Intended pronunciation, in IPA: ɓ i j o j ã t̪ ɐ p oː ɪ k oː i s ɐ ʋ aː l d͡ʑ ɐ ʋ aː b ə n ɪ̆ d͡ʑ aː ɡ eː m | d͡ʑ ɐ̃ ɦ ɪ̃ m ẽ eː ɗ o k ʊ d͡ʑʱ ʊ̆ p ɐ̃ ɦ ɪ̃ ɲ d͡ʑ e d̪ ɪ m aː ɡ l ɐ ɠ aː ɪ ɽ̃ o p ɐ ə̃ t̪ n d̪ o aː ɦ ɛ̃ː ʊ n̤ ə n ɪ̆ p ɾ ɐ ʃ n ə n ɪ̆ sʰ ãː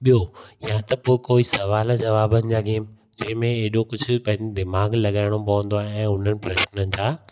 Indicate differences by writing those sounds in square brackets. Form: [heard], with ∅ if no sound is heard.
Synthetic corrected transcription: ɓ i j o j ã t̪ ɐ p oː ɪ k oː i s ɐ ʋ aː l d͡ʑ ɐ ʋ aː b ə n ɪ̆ d͡ʑ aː ɡ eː m | d͡ʑ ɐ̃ ɦ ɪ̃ m ẽ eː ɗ o k ʊ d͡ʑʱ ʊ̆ p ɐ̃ ɦ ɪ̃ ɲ d͡ʑ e d̪ ɪ m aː ɡ l ɐ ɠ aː ɪ ɽ̃ o p ɐ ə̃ [∅] n d̪ o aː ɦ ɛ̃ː ʊ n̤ ə n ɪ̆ p ɾ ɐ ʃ n ə n ɪ̆ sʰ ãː